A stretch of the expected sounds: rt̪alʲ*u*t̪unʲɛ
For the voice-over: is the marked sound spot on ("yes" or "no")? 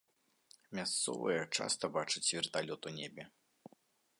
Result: no